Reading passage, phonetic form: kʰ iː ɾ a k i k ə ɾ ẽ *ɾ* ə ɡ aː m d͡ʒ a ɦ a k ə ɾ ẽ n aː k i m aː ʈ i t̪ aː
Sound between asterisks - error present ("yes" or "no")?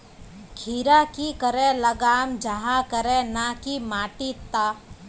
yes